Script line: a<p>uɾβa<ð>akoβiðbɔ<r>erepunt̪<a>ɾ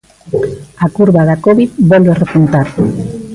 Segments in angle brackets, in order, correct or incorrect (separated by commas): incorrect, correct, incorrect, correct